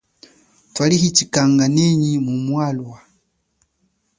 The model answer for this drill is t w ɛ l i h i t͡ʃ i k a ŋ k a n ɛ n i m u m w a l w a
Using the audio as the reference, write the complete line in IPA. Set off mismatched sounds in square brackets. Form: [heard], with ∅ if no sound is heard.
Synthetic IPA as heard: t w [a] l i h i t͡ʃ i k a ŋ [ɡ] a n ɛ [ɲ] i m u m w a l w a